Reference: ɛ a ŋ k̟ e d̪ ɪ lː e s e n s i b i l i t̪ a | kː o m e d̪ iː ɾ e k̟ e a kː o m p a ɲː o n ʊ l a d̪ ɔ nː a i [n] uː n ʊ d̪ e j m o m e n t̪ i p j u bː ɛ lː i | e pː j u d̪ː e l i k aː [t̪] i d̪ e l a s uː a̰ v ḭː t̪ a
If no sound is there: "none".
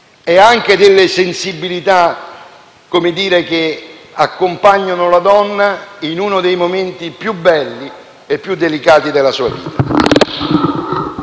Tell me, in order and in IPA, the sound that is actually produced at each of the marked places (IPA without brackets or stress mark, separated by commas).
n, t̪